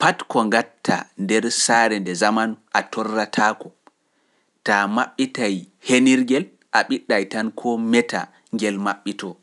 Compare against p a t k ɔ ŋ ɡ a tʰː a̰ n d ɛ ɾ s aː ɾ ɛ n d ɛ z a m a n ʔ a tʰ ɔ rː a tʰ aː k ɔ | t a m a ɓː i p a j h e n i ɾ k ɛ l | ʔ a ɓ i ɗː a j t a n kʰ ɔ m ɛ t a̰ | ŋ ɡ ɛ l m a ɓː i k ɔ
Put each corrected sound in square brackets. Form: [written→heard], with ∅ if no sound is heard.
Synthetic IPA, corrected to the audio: p a t k ɔ ŋ ɡ a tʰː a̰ n d ɛ ɾ s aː ɾ ɛ n d ɛ z a m a n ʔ a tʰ ɔ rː a tʰ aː k ɔ | t a m a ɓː i [p→t] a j h e n i ɾ [k→ɡ] ɛ l | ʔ a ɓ i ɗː a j t a n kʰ ɔ m ɛ t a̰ | ŋ ɡ ɛ l m a ɓː i [k→t] ɔ